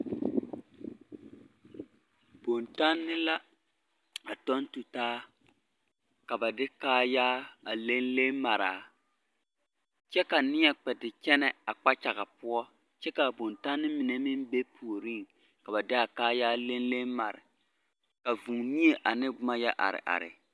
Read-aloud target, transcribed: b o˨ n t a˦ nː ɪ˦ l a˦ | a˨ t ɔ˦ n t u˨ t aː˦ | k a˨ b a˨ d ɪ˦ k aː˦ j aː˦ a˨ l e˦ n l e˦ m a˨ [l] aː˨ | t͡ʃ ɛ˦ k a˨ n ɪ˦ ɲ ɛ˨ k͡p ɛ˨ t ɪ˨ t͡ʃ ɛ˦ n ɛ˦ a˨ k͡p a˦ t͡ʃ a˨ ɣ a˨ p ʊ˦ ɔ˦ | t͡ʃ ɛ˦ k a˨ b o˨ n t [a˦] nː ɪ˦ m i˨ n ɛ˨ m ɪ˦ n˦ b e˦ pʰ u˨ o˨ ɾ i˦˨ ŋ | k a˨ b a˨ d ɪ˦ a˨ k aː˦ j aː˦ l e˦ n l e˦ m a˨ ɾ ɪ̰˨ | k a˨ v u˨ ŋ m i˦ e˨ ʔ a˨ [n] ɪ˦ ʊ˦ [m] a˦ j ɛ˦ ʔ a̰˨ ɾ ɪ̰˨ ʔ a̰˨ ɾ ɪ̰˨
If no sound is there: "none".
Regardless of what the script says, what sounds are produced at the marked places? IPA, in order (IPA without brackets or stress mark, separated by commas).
ɾ, a˦, n, m